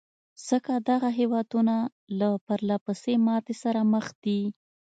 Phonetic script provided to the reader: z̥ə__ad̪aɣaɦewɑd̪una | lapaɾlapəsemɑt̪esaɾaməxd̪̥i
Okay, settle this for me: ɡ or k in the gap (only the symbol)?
k